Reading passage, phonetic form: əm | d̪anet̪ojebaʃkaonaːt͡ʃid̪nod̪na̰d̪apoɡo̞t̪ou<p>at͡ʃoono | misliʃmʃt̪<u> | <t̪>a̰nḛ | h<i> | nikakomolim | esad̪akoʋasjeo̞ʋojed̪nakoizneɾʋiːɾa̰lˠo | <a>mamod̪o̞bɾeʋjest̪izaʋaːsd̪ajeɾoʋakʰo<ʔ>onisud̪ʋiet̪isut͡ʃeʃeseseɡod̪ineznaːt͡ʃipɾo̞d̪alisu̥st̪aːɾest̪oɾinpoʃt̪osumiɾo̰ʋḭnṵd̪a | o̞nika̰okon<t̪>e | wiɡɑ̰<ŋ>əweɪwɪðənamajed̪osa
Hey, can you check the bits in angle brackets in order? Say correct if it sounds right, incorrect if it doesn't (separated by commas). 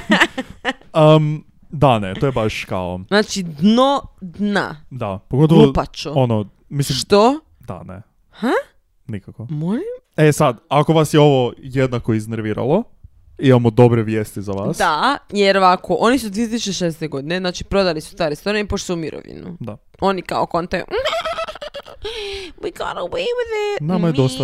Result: correct, incorrect, incorrect, incorrect, incorrect, correct, correct, incorrect